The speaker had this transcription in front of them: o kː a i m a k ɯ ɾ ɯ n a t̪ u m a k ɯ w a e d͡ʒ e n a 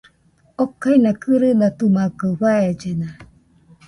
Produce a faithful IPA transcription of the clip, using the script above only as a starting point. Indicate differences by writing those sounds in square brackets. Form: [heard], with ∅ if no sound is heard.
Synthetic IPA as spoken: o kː a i [n] a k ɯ ɾ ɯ n a t̪ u m a k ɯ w a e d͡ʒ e n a